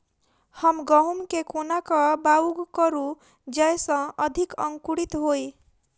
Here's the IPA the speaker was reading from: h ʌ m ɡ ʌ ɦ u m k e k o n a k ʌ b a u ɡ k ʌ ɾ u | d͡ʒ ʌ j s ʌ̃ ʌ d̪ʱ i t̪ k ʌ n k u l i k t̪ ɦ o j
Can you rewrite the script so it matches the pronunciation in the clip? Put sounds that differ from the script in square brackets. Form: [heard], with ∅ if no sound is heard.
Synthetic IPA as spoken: h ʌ m ɡ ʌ ɦ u m k e k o n a k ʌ b a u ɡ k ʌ ɾ u | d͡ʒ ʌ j s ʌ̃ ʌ d̪ʱ i [∅] k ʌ [ŋ] k u [ɽ] i [∅] t̪ ɦ o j